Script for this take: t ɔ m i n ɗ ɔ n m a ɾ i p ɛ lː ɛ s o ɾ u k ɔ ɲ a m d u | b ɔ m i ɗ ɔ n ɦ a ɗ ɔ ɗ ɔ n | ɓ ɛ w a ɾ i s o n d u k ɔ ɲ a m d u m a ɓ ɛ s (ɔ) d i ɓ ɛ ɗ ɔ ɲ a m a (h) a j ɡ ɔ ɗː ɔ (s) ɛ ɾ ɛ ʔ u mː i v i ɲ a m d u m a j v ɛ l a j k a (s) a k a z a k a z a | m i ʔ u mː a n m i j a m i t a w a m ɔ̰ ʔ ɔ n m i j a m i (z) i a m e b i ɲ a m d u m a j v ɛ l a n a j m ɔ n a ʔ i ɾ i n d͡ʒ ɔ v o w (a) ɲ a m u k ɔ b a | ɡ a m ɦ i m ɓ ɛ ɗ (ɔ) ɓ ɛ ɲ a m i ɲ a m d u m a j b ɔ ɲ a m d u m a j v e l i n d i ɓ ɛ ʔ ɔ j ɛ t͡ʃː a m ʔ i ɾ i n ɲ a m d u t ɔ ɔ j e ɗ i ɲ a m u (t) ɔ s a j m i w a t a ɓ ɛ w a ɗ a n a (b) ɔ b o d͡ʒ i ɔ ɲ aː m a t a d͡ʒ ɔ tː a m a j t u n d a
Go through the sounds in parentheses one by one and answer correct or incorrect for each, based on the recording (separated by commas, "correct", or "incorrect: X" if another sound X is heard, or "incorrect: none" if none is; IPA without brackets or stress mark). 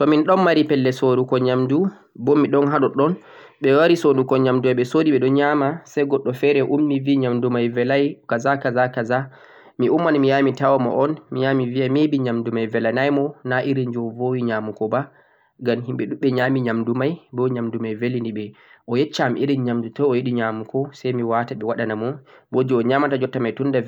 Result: incorrect: o, incorrect: s, incorrect: f, incorrect: z, incorrect: v, incorrect: i, incorrect: u, incorrect: k, incorrect: m